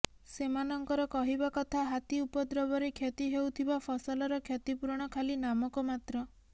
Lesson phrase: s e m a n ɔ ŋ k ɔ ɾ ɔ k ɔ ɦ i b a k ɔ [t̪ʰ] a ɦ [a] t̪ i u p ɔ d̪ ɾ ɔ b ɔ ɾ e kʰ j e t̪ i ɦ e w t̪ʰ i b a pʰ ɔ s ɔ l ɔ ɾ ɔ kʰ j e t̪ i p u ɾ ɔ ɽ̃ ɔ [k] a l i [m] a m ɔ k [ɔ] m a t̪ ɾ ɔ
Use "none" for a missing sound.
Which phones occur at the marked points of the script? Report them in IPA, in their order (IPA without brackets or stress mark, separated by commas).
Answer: t̪ʰ, a, kʰ, n, ɔ